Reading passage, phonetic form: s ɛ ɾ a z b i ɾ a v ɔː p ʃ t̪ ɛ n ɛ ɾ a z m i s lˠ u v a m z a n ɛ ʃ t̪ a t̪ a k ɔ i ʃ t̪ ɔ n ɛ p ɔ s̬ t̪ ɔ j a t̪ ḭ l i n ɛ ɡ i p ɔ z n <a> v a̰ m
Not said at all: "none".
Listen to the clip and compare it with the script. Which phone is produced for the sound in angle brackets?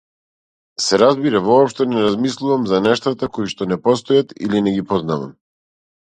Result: a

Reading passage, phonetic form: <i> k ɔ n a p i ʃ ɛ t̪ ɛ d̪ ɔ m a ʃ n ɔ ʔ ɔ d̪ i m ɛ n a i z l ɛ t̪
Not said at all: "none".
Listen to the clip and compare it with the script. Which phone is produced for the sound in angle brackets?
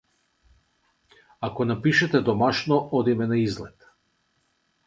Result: a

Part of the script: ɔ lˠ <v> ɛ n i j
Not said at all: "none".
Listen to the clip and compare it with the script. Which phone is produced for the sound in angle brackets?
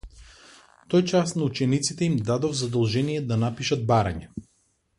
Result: ʒ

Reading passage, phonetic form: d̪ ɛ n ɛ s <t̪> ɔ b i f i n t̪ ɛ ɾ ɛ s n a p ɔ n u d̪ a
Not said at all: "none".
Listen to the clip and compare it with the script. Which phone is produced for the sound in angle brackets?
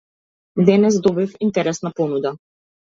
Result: d̪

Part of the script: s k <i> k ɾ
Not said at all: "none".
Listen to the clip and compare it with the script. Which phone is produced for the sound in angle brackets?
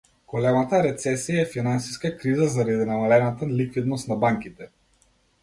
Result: a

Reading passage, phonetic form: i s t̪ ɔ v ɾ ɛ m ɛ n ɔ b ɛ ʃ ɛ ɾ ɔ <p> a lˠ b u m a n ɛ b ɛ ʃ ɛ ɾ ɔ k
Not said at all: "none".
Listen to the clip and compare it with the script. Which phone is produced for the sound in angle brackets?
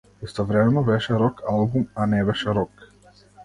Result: k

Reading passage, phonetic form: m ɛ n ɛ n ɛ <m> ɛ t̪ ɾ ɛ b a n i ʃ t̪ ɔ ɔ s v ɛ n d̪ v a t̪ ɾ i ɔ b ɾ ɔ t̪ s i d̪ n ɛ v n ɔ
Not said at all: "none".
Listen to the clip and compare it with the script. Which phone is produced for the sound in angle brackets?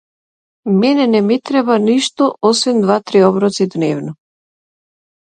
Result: m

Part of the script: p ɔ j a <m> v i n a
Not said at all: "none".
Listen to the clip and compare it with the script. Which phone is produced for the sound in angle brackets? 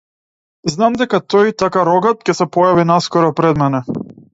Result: none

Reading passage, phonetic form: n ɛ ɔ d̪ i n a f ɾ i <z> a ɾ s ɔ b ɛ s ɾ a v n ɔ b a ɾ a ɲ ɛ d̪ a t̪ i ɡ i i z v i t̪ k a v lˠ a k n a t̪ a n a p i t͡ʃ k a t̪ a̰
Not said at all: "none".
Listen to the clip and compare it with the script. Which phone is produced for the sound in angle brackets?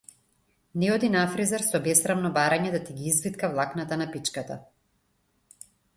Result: z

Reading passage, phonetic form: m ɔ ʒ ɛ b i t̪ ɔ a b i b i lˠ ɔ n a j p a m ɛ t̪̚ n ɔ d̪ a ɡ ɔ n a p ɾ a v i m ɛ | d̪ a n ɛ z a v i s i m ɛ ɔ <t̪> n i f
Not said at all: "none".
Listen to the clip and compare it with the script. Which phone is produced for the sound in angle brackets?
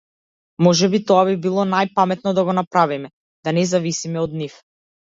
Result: d̪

